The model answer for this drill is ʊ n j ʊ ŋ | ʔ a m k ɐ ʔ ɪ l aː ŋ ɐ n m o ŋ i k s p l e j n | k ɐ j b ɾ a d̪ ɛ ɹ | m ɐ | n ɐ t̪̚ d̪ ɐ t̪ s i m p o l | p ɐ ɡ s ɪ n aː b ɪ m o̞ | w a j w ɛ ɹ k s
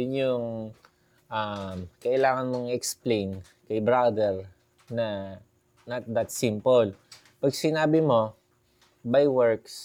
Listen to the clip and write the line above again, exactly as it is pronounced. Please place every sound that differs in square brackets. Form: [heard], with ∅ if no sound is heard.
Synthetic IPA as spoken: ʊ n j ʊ ŋ | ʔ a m k ɐ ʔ ɪ l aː ŋ ɐ n m o ŋ [ɛ] k s p l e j n | k ɐ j b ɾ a d̪ ɛ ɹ | [n] ɐ | n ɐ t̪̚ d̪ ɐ t̪ s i m p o l | p ɐ ɡ s ɪ n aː b ɪ m o̞ | [b] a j w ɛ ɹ k s